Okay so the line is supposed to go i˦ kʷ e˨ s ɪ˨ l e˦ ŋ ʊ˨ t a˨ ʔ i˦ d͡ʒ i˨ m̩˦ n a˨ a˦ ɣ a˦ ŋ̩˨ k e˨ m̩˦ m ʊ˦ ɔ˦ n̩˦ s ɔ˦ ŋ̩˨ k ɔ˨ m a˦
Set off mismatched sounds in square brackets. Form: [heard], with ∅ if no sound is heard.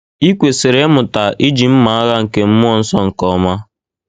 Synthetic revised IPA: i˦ kʷ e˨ s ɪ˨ [ɾ] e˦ [m] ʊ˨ t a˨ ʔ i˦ d͡ʒ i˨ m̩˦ [m] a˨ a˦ ɣ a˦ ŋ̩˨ k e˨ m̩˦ m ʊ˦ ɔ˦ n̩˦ s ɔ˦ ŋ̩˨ k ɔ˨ m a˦